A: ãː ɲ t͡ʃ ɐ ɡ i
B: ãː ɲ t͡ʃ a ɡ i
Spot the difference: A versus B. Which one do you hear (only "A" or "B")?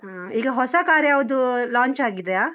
B